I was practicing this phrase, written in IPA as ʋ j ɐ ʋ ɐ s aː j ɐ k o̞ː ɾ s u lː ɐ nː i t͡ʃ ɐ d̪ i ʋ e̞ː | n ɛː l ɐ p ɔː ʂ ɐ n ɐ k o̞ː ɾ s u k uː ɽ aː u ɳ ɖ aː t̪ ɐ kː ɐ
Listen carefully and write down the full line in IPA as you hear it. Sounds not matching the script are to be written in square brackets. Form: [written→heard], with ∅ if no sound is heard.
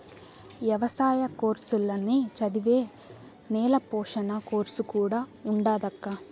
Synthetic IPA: ʋ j ɐ ʋ ɐ s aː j ɐ k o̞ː ɾ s u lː ɐ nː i t͡ʃ ɐ d̪ i ʋ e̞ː | n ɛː l ɐ p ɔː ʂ ɐ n ɐ k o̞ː ɾ s u k uː ɽ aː u ɳ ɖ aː [t̪→d̪] ɐ kː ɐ

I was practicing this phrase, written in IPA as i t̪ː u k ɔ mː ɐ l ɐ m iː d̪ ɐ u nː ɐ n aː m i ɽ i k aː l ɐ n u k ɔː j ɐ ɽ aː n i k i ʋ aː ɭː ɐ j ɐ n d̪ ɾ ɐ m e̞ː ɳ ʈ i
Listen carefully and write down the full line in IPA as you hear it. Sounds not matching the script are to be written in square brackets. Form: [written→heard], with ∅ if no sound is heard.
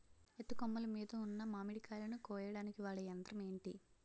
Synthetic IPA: [i→e] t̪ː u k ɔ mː ɐ l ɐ m iː d̪ ɐ u nː ɐ [n→m] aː m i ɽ i k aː l ɐ n u k ɔː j ɐ ɽ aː n i k i ʋ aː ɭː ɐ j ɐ n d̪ ɾ ɐ m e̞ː ɳ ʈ i

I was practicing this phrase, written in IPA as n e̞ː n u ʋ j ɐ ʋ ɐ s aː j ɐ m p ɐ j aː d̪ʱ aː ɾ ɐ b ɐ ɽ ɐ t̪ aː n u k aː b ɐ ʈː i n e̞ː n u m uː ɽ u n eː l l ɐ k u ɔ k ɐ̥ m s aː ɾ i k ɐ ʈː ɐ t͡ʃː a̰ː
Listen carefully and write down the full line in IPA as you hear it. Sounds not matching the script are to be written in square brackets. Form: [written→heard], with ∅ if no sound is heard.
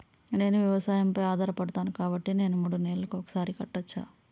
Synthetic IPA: n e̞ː n u ʋ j ɐ ʋ ɐ s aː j ɐ m p ɐ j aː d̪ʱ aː ɾ ɐ [b→p] ɐ ɽ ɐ t̪ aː n u k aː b ɐ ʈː i n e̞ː n u m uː ɽ u n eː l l ɐ k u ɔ k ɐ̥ [m→∅] s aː ɾ i k ɐ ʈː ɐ t͡ʃː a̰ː

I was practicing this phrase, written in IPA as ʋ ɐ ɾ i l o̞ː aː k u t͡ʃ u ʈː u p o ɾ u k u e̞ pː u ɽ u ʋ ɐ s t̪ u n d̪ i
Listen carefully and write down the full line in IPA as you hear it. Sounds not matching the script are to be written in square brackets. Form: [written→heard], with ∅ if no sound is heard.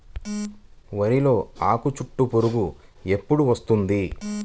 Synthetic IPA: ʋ ɐ ɾ i l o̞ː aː k u t͡ʃ u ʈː u p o ɾ u [k→ɡ] u e̞ pː u ɽ u ʋ ɐ s t̪ u n d̪ i

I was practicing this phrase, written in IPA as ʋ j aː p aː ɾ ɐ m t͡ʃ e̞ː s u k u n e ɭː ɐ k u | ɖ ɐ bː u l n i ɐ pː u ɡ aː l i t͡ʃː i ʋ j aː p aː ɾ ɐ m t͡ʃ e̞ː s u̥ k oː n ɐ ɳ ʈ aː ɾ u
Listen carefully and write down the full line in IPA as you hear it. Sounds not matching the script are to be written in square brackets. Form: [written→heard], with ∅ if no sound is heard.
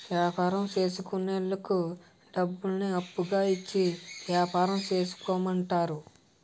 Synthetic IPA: ʋ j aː p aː ɾ ɐ m t͡ʃ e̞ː s u k u n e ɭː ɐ k u | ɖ ɐ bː u l n i ɐ pː u ɡ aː [l→∅] i t͡ʃː i ʋ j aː p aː ɾ ɐ m t͡ʃ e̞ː s u̥ k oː [n→m] ɐ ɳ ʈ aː ɾ u

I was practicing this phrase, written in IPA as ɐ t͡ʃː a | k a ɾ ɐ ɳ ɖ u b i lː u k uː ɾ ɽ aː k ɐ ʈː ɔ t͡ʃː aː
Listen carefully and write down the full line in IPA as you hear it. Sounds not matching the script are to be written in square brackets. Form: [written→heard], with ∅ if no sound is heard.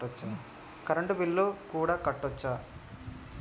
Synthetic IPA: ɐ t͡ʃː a | k [a→ɐ] ɾ ɐ ɳ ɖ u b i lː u k uː [ɾ→∅] ɽ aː k ɐ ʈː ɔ t͡ʃː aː

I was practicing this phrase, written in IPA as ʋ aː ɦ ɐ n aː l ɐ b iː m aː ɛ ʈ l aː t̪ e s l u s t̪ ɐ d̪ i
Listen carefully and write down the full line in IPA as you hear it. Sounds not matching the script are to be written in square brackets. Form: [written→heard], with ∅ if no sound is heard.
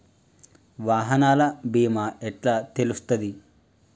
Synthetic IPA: ʋ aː ɦ ɐ n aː l ɐ b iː m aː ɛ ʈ l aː t̪ e [s→∅] l u s t̪ ɐ d̪ i

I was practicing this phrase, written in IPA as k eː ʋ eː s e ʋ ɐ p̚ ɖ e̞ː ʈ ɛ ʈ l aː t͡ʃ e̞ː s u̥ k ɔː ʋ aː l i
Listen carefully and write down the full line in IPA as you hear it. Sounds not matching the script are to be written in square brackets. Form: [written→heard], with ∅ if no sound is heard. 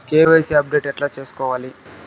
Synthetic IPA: k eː ʋ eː s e [ʋ→∅] ɐ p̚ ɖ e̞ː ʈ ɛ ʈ l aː t͡ʃ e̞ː s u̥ k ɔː ʋ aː l i

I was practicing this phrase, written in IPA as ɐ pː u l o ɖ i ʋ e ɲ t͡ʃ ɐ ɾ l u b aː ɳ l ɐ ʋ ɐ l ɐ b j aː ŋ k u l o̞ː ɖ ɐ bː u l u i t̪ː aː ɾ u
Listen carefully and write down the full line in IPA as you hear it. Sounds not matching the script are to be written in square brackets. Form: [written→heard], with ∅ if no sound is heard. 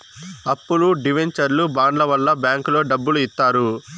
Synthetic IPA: ɐ pː u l [o→u] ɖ i ʋ e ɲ t͡ʃ ɐ ɾ l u b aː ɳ l ɐ ʋ ɐ [l→lː] ɐ b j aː ŋ k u l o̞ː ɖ ɐ bː u l u i t̪ː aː ɾ u

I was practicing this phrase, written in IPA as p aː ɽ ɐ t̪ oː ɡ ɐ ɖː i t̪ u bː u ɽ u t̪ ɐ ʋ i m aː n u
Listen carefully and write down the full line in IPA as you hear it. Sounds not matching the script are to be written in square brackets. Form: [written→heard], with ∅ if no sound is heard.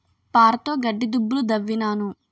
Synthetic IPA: p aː [ɽ→ɾ] ɐ t̪ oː ɡ ɐ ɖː i [t̪→d̪] u bː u [ɽ→l] u [t̪→d̪] ɐ [ʋ→ʋː] i [m→n] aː n u

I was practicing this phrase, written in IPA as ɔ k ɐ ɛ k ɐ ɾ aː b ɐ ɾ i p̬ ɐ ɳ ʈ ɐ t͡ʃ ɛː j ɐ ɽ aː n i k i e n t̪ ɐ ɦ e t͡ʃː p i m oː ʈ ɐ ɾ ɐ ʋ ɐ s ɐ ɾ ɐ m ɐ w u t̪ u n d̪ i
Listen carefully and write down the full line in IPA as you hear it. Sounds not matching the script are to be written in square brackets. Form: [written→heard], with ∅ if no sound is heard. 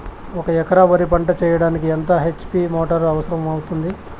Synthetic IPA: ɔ k ɐ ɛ k ɐ ɾ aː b ɐ ɾ i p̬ ɐ ɳ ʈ ɐ t͡ʃ ɛː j ɐ ɽ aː n i k i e n t̪ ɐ ɦ e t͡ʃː p i m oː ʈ ɐ ɾ ɐ ʋ ɐ s ɐ ɾ ɐ m ɐ w u t̪ u n d̪ i

